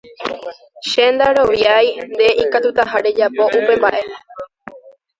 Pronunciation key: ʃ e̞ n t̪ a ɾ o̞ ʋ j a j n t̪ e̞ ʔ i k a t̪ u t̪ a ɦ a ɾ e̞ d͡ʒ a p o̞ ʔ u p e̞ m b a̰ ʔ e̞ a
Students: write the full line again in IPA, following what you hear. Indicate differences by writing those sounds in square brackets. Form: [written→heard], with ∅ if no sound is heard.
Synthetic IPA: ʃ e̞ n [t̪→d̪] a ɾ o̞ ʋ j a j n [t̪→d̪] e̞ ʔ i k a t̪ u t̪ a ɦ a ɾ e̞ d͡ʒ a p o̞ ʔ u p e̞ m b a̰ ʔ e̞ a

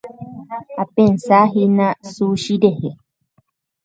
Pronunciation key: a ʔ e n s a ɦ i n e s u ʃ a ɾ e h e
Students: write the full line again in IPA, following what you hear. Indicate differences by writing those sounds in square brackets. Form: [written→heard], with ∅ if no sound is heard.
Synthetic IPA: a [ʔ→p] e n s a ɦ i n [e→a] s u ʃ [a→i] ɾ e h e

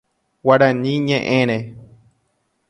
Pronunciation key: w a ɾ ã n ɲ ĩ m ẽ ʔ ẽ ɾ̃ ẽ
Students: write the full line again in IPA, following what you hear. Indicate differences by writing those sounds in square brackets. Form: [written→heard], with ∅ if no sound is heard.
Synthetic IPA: w a ɾ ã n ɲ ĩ [m→ɲ] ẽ ʔ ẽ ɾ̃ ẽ

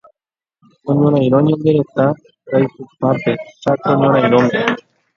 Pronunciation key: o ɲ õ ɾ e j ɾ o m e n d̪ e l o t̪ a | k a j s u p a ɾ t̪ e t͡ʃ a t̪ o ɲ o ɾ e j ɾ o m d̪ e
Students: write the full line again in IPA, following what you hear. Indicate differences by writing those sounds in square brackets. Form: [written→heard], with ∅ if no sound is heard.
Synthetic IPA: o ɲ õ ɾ [e→a] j ɾ o [m→ɲ] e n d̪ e [l→ɾ] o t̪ a | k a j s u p a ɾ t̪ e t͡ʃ a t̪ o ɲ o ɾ [e→a] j ɾ o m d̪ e

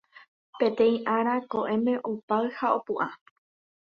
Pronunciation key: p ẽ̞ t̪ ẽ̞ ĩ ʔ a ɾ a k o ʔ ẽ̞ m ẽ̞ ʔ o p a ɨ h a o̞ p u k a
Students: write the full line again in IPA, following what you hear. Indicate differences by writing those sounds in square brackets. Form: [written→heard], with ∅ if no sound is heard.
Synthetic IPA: p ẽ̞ t̪ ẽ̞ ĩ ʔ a ɾ a k o ʔ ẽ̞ m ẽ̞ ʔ o p a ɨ h a o̞ p u [k→ʔ] a

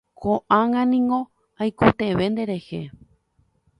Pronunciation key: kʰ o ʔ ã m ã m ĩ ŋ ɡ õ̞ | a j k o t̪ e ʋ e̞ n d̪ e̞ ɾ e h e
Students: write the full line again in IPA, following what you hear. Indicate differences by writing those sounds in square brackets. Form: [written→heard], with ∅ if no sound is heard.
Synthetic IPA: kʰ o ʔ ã [m→ŋ] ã [m→n] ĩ ŋ ɡ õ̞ | a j k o t̪ e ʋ e̞ n d̪ e̞ ɾ e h e

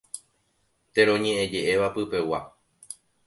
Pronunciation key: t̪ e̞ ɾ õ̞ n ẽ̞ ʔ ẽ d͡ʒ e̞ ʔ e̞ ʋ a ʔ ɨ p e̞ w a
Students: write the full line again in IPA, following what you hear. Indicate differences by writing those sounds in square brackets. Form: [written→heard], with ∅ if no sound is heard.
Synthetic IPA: t̪ e̞ ɾ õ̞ [n→ɲ] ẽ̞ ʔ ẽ d͡ʒ e̞ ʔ e̞ ʋ a [ʔ→p] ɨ p e̞ w a

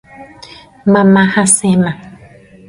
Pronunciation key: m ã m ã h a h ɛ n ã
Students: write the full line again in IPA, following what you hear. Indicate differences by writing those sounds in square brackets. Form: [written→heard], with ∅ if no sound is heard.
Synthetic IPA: m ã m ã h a [h→s] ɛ [n→m] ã

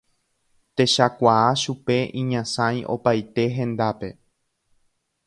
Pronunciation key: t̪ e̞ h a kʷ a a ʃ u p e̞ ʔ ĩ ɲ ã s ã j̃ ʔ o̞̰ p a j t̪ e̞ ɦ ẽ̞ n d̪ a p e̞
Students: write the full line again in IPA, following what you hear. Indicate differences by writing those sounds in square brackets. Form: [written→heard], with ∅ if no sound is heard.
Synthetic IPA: t̪ e̞ [h→ʃ] a kʷ a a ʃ u p e̞ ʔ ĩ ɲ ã s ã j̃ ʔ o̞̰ p a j t̪ e̞ ɦ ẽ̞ n d̪ a p e̞

